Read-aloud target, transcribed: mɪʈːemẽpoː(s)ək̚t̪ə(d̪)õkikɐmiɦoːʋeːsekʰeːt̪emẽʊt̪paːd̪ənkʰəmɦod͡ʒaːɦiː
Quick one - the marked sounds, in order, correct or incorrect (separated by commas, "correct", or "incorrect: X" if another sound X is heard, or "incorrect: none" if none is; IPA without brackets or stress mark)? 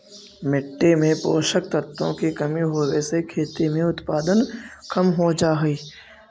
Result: incorrect: ʃ, incorrect: t̪